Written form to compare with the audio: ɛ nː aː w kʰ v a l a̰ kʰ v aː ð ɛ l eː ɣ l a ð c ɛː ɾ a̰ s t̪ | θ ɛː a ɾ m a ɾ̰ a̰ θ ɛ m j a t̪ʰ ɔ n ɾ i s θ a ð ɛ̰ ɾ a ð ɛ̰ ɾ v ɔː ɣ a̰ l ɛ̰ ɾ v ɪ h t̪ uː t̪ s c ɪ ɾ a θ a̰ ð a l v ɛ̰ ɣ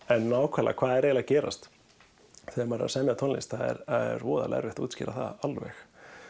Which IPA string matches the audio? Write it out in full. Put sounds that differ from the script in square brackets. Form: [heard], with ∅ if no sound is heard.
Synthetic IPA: ɛ nː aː w kʰ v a l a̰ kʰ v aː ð ɛ [ɾ] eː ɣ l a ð c ɛː ɾ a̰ s t̪ | θ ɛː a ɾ m a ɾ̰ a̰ [s] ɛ m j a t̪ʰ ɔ n [l] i s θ a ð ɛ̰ ɾ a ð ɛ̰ ɾ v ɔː [ð] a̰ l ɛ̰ ɾ v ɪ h t̪ uː t̪ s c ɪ ɾ a θ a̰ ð a l v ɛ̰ [x]